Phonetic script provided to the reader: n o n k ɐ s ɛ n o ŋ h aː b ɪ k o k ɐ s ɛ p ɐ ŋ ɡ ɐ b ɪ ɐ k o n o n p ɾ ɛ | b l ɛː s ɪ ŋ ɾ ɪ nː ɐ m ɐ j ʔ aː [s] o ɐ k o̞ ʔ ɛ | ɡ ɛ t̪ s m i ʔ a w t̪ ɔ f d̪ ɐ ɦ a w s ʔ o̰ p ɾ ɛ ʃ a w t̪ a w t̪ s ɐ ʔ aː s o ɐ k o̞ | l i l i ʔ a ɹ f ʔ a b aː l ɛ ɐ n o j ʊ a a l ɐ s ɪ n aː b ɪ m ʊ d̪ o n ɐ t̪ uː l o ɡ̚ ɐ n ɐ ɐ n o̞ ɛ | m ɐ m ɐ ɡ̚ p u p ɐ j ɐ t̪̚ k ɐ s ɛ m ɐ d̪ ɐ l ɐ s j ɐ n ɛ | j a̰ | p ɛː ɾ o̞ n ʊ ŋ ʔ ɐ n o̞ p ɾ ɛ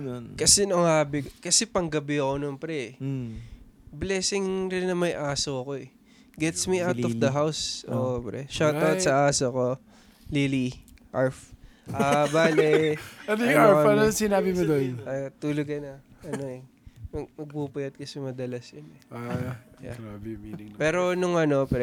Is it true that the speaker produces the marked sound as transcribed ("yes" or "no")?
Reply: yes